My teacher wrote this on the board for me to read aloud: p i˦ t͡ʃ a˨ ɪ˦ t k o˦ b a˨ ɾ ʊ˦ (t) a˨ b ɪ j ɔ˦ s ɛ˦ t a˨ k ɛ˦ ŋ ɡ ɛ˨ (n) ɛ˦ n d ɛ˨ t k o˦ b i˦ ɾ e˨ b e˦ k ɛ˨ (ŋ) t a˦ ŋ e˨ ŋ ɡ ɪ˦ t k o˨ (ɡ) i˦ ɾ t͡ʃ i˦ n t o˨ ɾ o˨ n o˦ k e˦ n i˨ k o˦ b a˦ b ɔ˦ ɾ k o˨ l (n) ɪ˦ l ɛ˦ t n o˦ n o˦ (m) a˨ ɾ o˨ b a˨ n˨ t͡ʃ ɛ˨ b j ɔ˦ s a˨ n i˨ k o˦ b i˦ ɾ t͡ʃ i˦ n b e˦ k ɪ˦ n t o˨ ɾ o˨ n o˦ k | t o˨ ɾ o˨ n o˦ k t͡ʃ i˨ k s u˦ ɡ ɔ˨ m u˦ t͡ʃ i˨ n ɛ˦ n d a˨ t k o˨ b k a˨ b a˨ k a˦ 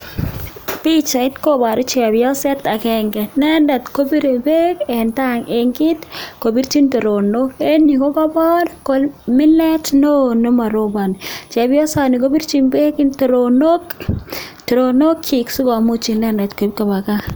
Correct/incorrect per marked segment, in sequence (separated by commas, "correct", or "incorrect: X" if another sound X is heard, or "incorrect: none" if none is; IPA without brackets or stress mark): incorrect: t͡ʃ, correct, incorrect: n, incorrect: b, incorrect: m, correct